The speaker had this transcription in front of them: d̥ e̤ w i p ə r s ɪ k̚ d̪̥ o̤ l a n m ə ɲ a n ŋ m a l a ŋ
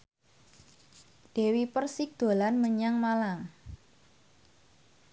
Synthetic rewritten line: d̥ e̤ w i p ə r s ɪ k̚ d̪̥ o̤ l a n m ə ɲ a ŋ m a l a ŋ

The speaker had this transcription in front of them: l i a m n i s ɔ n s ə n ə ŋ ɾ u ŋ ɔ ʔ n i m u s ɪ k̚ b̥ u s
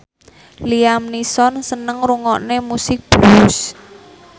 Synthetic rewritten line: l i a m n i s ɔ n s ə n ə ŋ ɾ u ŋ ɔ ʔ n e m u s ɪ k̚ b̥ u s

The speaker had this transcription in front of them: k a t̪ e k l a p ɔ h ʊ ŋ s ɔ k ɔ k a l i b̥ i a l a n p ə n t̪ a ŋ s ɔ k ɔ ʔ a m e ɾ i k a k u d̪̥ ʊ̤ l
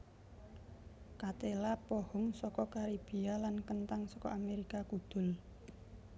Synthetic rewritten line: k a t̪ e l a p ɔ h ʊ ŋ s ɔ k ɔ k a ɾ i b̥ i a l a n k ə n t̪ a ŋ s ɔ k ɔ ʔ a m e ɾ i k a k u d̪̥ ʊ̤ l

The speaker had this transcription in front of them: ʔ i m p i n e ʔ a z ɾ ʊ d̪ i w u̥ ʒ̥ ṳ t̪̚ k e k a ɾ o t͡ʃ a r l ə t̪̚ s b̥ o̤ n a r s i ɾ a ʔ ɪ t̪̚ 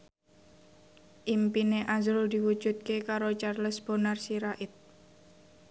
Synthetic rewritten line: ʔ i m p i n e ʔ a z ɾ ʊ d̪ i w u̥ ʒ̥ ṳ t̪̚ k e k a ɾ o t͡ʃ a r l ə s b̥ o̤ n a r s i ɾ a ʔ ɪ t̪̚

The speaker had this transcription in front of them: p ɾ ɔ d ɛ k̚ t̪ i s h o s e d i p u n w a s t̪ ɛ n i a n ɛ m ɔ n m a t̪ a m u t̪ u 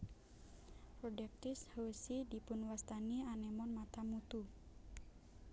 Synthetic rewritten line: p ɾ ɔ d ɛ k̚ t̪ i s h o s i d i p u n w a s t̪ a n i a n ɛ m ɔ n m a t̪ a m u t̪ u

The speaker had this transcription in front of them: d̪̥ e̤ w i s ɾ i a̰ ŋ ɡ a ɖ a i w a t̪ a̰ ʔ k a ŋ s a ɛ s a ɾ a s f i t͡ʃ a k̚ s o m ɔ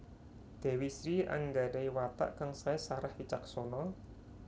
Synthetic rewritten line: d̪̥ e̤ w i s ɾ i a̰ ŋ ɡ a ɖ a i w a t̪ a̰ ʔ k a ŋ s a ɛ s a ɾ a h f i t͡ʃ a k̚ s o n ɔ

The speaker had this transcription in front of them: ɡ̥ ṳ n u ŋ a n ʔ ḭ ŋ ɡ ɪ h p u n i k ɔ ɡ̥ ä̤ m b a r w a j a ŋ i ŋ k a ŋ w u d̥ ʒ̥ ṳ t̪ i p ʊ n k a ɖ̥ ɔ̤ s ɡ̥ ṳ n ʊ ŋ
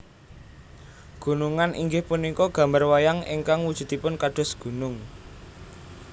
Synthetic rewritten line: ɡ̥ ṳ n u ŋ a n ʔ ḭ ŋ ɡ ɪ h p u n i k ɔ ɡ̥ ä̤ m b a r w a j a ŋ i ŋ k a ŋ w u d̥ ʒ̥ ṳ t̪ i p ʊ n k a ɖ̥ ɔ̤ s ɡ̥ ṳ n ʊ ŋ

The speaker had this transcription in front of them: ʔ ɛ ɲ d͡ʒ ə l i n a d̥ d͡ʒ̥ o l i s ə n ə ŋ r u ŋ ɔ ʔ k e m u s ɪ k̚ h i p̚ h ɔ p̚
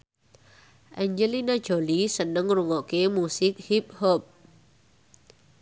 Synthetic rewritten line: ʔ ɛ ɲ d͡ʒ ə l i n a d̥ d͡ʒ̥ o l i s ə n ə ŋ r u ŋ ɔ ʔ k e m u s ɪ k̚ h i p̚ h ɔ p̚

